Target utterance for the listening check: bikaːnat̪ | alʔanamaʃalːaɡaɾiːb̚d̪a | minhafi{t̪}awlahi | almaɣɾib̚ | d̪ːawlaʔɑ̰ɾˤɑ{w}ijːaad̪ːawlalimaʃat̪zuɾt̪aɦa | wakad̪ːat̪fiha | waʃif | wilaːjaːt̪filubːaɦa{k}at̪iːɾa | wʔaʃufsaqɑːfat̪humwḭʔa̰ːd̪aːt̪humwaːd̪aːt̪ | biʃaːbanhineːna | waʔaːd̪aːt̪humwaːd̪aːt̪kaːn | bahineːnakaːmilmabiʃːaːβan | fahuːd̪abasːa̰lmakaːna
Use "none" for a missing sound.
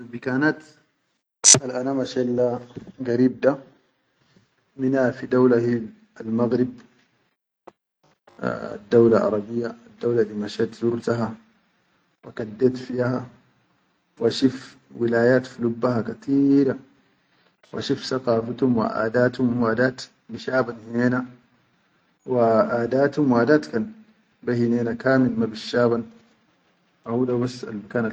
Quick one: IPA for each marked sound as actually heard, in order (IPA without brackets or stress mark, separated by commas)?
d̪, b, k